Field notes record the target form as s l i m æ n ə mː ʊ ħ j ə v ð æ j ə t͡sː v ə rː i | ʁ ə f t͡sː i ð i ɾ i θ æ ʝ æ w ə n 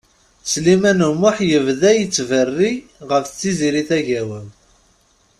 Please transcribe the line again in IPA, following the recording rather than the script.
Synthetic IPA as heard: s l i m æ n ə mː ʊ ħ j ə v ð æ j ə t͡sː v ə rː i | ʁ ə f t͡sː i z i ɾ i θ æ ʝ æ w ə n